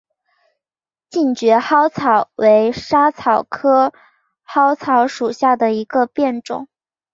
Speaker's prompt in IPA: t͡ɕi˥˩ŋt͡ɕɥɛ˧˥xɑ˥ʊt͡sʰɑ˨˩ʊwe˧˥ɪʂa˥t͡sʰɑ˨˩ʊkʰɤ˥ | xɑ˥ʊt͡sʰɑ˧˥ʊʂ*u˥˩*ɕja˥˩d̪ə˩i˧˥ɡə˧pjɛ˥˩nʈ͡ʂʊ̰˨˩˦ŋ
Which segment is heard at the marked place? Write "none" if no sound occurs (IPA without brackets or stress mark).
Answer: u˨˩